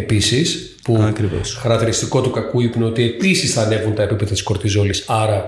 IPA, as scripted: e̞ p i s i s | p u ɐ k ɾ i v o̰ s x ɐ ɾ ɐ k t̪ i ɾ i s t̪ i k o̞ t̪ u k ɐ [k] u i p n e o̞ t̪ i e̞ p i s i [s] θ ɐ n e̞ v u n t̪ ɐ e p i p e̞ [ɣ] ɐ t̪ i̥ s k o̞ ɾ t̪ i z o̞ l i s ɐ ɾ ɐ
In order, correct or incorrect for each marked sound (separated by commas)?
correct, correct, incorrect